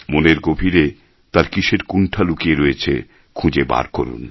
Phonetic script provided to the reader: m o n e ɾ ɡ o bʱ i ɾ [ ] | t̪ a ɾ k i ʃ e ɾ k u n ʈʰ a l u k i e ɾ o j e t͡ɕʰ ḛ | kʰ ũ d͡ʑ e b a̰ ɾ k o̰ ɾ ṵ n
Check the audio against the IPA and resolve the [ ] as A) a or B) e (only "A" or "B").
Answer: B